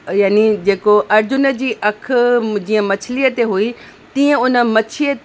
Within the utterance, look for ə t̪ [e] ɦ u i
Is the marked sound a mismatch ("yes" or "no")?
no